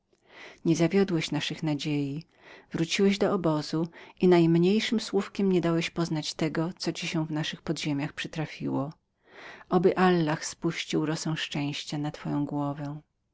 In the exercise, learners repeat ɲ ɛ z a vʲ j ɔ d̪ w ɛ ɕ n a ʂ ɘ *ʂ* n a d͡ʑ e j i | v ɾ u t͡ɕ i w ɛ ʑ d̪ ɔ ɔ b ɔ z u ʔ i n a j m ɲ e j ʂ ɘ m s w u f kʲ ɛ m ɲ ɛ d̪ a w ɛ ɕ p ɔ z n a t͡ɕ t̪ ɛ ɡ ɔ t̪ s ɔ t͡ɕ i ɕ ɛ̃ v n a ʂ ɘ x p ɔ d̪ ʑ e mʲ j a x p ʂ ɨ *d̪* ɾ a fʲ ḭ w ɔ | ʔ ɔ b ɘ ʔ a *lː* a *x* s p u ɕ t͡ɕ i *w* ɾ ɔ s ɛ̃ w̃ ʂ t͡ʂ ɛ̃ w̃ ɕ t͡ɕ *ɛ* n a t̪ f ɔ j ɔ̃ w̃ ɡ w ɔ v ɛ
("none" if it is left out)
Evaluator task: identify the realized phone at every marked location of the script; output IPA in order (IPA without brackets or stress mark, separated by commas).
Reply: x, t̪, lː, x, w, a